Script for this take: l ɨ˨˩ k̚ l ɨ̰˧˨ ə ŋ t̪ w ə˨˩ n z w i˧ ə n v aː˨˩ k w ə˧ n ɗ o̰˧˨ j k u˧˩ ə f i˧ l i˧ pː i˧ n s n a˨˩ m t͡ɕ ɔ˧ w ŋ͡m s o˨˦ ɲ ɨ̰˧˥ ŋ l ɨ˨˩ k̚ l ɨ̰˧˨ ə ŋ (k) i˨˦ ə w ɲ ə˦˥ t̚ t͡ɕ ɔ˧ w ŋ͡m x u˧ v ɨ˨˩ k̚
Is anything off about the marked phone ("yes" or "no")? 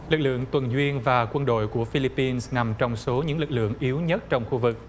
yes